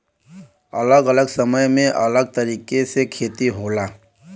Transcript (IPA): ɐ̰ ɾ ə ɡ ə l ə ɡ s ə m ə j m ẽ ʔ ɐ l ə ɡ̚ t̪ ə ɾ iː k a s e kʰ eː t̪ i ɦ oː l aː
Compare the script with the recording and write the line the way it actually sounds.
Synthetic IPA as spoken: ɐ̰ l ə ɡ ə l ə ɡ s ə m ə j m ẽ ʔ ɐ l ə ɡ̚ t̪ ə ɾ iː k e s e kʰ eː t̪ i ɦ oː l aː